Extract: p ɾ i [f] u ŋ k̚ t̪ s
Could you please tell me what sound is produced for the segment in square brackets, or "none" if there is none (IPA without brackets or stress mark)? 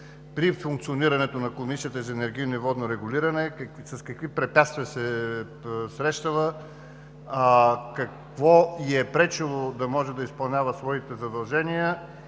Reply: f